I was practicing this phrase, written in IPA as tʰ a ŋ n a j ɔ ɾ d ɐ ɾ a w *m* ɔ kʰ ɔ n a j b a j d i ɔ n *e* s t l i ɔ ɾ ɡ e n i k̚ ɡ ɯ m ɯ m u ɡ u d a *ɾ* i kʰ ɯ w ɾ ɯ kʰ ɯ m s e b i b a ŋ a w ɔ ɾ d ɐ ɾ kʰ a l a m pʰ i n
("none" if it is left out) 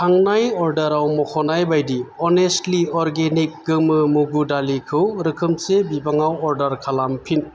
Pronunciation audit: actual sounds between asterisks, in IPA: m, e, l

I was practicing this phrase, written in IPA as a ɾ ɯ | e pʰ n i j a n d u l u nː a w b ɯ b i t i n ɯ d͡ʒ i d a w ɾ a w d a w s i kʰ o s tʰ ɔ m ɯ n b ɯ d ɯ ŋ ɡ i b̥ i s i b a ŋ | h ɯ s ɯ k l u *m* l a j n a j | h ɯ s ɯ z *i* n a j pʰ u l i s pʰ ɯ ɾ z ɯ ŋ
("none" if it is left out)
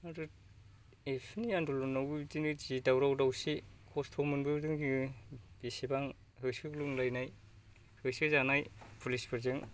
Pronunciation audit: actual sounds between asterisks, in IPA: ŋ, a

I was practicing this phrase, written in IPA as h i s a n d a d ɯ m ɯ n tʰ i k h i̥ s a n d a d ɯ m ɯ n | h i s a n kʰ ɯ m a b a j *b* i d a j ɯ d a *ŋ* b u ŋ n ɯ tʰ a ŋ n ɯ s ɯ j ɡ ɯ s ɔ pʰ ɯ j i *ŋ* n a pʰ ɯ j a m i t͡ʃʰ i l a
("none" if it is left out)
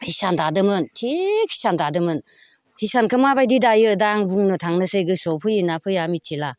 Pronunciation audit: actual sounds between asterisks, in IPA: d, ŋ, none

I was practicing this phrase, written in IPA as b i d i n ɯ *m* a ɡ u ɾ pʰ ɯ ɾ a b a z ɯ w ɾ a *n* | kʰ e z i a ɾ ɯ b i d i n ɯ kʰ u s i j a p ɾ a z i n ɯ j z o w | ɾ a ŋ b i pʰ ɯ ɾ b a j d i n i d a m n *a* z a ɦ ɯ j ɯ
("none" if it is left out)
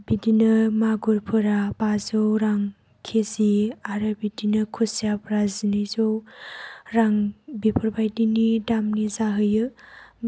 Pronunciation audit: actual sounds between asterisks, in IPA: m, ŋ, i

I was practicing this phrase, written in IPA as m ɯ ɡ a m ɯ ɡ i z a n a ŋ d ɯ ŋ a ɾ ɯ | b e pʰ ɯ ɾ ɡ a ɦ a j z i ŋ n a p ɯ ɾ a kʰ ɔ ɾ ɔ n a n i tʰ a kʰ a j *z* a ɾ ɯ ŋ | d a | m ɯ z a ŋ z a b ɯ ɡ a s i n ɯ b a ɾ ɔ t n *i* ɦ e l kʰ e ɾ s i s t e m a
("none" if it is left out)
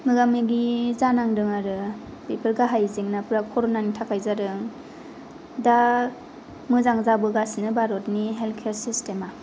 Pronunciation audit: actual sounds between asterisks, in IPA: z, i

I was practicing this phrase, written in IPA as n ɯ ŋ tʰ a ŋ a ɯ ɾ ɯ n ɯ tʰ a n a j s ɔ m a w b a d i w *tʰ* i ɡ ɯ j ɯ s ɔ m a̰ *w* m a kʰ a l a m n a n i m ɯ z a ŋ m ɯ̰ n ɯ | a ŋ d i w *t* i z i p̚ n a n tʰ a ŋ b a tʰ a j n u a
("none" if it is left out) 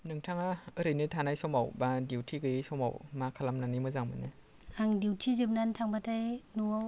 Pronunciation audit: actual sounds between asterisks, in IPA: tʰ, w, tʰ

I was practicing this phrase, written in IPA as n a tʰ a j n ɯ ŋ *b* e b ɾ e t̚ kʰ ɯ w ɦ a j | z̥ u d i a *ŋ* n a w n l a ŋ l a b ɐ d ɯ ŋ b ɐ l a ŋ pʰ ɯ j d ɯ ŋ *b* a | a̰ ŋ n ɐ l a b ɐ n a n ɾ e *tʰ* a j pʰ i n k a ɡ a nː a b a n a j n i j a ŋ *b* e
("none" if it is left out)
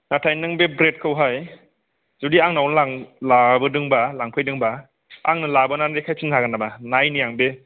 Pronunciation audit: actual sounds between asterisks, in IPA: b, ŋ, b, kʰ, b

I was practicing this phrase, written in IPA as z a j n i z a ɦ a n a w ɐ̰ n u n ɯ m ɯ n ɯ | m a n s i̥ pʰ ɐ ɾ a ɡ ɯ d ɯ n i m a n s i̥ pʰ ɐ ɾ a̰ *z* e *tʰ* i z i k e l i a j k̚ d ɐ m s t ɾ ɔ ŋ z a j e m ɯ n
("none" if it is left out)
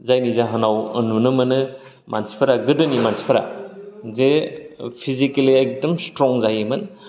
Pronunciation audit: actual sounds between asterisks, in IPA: z, pʰ

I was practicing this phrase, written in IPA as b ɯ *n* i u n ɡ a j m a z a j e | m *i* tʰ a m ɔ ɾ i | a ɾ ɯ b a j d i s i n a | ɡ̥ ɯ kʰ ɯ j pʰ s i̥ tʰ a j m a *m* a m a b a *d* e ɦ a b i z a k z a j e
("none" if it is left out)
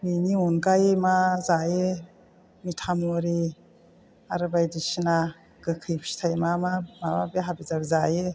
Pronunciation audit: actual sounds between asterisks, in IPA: n, i, m, b

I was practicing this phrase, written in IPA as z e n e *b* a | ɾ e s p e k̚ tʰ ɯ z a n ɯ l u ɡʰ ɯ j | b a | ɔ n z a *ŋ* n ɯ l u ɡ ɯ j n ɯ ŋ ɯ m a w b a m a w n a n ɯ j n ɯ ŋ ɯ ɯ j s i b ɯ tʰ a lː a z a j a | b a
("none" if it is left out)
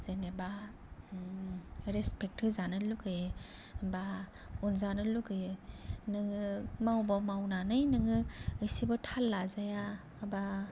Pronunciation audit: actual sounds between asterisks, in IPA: b, none

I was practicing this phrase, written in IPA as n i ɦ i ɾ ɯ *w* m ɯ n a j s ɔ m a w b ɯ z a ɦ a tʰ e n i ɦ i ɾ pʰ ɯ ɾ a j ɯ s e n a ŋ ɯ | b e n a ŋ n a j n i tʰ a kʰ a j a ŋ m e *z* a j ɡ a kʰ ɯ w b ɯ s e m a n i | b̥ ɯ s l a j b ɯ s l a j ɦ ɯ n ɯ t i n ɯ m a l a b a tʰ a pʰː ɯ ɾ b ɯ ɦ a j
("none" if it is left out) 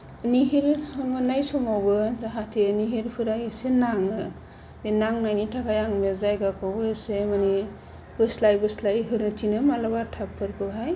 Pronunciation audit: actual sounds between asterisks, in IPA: none, z

